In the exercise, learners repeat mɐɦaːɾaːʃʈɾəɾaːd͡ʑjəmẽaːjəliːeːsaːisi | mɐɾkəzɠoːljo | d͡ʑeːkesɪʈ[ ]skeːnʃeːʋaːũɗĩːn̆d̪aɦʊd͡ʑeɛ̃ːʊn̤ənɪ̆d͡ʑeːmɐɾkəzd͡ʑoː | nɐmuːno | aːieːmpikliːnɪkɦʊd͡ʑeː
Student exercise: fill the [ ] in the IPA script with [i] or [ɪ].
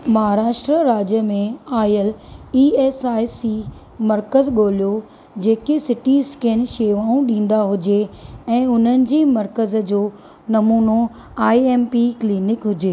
i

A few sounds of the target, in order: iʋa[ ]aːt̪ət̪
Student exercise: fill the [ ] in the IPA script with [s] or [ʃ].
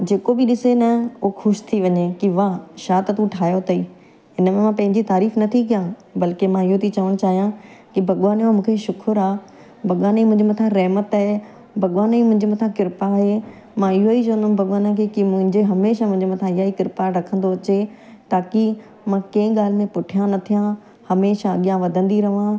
ʃ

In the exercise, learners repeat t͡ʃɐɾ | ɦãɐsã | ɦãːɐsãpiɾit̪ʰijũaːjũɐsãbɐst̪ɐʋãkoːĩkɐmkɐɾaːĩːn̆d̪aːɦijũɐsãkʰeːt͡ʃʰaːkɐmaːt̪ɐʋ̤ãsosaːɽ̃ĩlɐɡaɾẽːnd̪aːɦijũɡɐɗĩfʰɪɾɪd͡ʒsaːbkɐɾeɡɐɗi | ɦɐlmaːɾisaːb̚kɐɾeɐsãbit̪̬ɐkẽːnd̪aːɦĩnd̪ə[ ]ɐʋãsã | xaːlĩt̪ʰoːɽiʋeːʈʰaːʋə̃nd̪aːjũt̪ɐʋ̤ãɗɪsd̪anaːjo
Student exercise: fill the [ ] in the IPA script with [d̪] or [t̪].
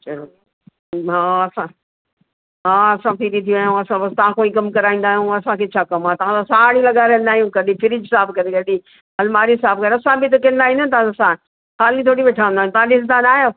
t̪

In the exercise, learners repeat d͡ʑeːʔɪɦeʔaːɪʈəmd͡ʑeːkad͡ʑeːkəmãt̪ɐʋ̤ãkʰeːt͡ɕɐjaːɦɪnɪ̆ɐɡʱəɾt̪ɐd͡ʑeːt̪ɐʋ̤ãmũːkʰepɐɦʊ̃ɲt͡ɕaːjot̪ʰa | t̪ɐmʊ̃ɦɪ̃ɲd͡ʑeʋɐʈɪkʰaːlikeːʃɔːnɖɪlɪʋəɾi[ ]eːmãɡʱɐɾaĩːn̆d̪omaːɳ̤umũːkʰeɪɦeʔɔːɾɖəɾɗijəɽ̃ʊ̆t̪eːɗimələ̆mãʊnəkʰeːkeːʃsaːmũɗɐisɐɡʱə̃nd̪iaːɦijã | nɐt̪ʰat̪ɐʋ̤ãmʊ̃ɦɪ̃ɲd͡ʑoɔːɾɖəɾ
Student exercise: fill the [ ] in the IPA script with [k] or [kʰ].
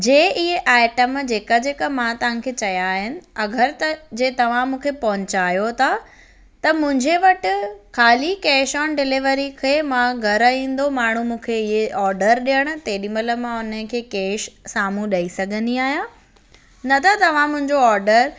kʰ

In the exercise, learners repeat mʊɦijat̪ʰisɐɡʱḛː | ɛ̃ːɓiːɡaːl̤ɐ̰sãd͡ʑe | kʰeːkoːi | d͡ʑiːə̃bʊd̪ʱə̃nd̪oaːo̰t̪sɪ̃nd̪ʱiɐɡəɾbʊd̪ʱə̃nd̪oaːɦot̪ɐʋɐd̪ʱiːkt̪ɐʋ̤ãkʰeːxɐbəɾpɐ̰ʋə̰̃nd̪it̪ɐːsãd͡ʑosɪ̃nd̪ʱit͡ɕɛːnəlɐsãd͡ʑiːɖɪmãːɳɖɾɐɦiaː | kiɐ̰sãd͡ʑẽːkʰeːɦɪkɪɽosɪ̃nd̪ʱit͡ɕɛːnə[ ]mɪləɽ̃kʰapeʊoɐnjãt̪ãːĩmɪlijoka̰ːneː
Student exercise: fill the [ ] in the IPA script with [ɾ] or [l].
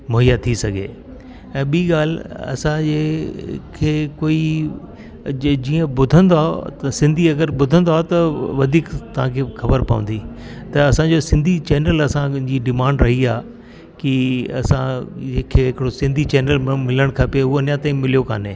l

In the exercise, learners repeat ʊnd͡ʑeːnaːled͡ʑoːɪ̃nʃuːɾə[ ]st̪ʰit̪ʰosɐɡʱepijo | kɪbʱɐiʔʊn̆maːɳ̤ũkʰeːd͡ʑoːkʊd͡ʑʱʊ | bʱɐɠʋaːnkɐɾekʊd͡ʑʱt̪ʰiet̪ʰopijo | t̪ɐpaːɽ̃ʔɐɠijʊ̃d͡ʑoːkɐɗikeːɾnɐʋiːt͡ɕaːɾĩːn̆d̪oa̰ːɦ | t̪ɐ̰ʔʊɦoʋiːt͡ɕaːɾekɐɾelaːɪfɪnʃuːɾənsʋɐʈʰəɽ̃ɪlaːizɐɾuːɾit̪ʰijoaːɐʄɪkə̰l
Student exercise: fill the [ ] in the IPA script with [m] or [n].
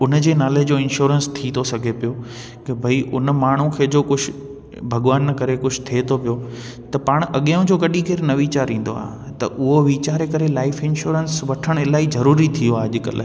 n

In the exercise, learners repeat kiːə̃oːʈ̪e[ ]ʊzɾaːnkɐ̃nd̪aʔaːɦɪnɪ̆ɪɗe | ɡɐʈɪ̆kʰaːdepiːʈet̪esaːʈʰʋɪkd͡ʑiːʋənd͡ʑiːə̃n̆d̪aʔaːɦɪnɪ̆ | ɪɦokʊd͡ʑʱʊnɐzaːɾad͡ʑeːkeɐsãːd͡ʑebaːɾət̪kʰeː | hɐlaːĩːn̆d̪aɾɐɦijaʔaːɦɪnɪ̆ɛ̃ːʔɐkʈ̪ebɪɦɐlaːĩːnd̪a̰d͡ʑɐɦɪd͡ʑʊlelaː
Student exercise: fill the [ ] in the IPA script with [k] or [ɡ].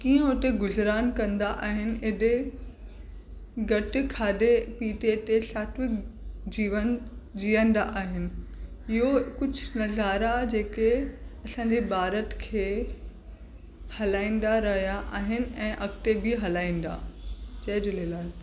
ɡ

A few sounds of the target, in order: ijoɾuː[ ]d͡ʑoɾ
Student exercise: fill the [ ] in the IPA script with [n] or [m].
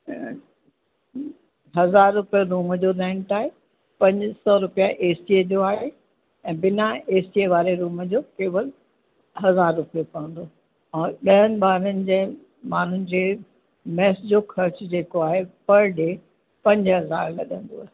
m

